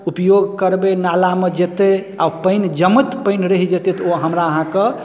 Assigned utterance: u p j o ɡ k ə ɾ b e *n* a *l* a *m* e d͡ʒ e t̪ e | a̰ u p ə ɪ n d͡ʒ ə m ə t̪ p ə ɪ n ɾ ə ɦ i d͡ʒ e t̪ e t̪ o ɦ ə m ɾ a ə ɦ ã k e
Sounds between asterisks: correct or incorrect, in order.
correct, correct, correct

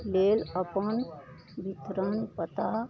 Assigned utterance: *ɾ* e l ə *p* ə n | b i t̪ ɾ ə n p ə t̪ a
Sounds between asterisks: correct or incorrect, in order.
incorrect: l, correct

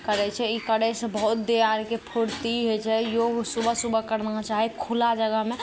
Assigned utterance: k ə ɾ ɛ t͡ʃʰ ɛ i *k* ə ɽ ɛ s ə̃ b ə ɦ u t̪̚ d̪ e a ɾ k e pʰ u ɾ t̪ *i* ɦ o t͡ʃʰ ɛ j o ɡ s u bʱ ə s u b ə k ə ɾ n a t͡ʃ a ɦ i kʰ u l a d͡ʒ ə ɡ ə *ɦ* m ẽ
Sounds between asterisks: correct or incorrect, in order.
correct, correct, correct

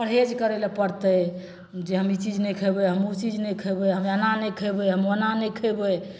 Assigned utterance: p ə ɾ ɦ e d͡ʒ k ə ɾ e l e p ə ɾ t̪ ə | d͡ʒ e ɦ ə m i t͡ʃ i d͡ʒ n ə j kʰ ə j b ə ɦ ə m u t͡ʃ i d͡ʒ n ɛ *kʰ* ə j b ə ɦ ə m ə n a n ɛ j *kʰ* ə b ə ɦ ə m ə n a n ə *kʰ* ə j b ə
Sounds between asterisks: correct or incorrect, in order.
correct, correct, correct

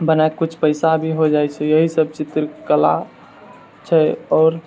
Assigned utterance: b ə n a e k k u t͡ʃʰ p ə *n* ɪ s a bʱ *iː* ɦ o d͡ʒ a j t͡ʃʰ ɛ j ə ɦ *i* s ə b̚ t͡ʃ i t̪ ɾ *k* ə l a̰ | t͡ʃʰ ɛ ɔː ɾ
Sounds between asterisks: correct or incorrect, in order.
incorrect: none, incorrect: i, correct, correct

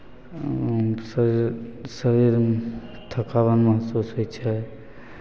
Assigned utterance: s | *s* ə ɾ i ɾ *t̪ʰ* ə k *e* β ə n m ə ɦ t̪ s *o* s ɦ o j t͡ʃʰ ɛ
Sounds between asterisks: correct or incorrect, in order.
correct, correct, incorrect: a, incorrect: u

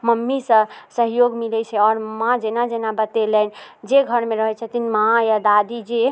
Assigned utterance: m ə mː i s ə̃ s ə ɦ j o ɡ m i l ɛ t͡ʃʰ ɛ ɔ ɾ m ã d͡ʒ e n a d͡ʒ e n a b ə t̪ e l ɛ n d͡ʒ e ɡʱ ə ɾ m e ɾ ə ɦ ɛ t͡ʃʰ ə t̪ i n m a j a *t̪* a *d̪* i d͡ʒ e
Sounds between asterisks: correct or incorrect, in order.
incorrect: d̪, correct

